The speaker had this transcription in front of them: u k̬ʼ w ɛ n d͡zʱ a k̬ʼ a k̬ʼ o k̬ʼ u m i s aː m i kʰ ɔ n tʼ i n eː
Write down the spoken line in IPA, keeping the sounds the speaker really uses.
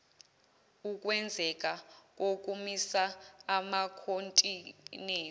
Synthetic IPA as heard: u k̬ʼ w ɛ n d͡zʱ ɛ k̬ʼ a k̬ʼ o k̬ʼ u m i s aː m a kʰ o n tʼ i n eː